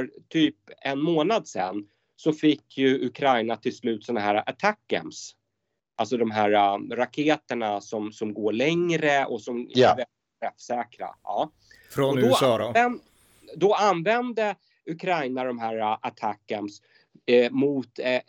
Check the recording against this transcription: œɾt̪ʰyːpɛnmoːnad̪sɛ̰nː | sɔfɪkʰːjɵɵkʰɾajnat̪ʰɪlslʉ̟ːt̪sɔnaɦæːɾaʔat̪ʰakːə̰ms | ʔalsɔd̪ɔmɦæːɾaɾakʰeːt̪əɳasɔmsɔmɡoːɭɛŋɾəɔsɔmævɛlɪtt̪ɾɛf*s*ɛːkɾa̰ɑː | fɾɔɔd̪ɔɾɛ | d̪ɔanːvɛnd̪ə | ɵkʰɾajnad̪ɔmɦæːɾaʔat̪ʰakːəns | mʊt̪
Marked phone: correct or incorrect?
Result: correct